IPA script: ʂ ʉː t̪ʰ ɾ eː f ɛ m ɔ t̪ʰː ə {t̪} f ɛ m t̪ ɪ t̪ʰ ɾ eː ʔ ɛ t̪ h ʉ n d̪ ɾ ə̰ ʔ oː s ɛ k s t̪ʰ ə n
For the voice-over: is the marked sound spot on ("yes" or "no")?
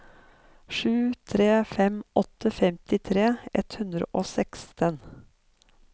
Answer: no